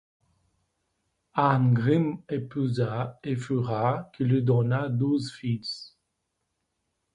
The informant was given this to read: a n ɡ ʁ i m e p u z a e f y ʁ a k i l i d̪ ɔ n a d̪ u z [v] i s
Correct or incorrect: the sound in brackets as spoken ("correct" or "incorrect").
incorrect